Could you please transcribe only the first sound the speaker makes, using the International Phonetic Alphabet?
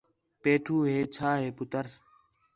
p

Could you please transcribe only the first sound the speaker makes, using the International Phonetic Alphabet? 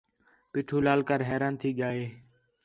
p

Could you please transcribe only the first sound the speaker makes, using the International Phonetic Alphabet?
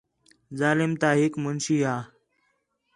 z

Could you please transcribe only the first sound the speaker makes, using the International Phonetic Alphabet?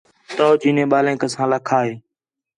t̪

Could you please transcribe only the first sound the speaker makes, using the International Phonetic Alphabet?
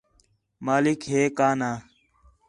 m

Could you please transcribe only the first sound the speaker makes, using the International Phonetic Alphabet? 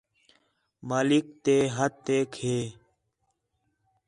m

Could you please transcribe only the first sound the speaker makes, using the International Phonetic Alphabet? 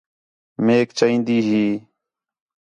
m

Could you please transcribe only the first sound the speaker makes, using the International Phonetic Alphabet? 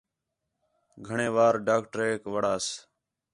ɡʱ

